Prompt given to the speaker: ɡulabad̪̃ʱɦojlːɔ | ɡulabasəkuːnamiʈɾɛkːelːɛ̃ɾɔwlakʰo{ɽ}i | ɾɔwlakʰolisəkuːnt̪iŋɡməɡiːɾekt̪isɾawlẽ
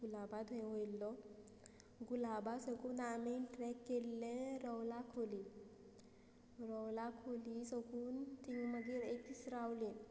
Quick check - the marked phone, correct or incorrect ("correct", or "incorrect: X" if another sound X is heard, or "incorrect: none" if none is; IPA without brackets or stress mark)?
incorrect: l